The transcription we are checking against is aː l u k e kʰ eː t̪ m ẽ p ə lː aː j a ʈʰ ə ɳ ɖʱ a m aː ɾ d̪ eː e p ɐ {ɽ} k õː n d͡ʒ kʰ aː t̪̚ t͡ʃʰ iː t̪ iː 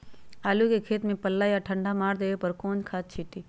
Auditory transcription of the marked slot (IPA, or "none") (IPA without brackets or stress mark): ɾ